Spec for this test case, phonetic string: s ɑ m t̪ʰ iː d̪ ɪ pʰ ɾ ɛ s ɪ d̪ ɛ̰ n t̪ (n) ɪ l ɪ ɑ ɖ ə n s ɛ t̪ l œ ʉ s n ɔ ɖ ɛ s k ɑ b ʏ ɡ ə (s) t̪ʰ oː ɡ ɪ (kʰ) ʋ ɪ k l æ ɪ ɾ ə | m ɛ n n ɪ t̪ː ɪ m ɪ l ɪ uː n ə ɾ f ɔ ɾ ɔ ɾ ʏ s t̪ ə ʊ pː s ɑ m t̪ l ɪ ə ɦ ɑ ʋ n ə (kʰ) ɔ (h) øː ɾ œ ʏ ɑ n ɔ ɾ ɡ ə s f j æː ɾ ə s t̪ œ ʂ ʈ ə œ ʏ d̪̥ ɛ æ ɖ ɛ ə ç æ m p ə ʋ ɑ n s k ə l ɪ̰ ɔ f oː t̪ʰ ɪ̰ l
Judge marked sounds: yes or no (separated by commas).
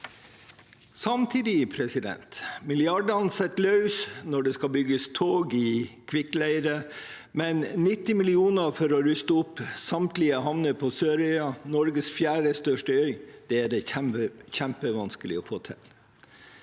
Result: no, yes, yes, no, no